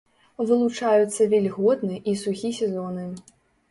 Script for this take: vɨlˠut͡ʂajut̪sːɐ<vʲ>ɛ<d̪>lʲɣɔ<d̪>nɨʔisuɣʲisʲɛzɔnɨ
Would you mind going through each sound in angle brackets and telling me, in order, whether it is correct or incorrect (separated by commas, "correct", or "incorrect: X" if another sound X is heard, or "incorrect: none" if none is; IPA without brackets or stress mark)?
correct, incorrect: none, correct